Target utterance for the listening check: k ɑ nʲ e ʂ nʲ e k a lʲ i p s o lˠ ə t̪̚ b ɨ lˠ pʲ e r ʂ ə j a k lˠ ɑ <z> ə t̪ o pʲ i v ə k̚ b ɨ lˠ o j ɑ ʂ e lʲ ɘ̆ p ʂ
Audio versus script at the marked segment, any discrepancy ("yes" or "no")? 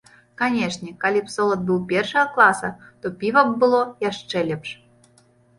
yes